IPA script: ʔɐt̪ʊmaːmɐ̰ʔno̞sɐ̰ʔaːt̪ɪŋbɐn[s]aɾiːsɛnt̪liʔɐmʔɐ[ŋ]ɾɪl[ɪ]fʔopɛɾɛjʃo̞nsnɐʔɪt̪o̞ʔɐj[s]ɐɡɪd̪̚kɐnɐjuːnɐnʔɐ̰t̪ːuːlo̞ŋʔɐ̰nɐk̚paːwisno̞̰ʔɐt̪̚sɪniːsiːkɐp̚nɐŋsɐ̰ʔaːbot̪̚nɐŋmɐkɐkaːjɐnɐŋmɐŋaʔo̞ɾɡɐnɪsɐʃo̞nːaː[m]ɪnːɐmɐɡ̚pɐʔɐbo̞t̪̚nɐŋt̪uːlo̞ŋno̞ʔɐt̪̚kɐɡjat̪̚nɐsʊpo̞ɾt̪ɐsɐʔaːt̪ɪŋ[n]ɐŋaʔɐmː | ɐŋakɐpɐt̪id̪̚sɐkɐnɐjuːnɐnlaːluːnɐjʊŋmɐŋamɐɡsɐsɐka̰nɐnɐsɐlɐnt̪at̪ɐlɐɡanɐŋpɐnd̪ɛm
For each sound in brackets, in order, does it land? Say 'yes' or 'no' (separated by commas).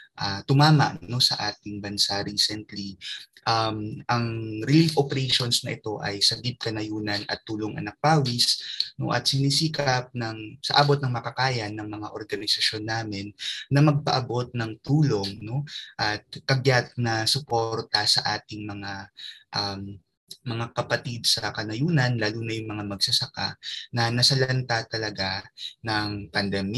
yes, yes, no, yes, yes, no